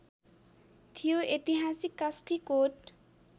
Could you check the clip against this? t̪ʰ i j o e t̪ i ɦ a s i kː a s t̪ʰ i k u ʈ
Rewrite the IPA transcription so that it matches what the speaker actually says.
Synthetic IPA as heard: t̪ʰ i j o e t̪ i ɦ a s i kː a s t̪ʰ i k o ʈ